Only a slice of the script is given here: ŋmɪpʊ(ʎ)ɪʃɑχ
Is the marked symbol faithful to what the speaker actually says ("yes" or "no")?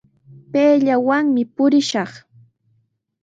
no